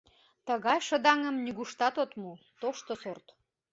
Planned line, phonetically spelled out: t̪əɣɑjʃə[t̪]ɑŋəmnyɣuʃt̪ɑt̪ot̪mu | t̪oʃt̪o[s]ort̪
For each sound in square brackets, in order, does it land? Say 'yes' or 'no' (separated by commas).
no, yes